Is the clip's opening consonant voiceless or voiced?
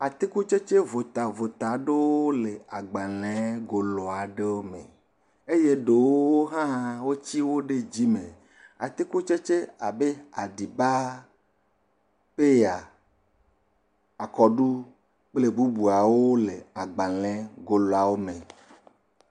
voiceless